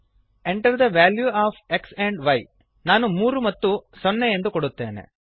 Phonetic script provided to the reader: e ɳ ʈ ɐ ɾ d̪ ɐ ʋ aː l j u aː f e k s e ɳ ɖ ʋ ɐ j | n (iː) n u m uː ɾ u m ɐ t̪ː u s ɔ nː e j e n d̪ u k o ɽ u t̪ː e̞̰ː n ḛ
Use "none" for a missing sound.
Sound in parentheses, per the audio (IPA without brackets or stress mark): aː